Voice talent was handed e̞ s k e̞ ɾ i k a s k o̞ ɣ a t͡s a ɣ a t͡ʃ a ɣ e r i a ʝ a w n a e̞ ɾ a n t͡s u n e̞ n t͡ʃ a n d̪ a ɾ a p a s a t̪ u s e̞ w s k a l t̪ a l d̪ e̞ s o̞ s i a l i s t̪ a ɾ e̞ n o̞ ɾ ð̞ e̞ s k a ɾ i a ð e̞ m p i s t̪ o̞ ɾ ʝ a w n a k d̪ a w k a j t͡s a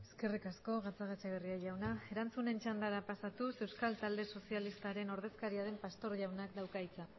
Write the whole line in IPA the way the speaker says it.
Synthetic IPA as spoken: e̞ s k e̞ r i k a s k o̞ ɣ a t͡s a ɣ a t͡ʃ a ɣ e r i a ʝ a w n a e̞ ɾ a n t͡s u n e̞ n t͡ʃ a n d̪ a ɾ a p a s a t̪ u s e̞ w s k a l t̪ a l d̪ e̞ s o̞ s i a l i s t̪ a ɾ e̞ n o̞ ɾ ð̞ e̞ s k a ɾ i a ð e̞ m p a s t̪ o̞ ɾ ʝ a w n a k d̪ a w k a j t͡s a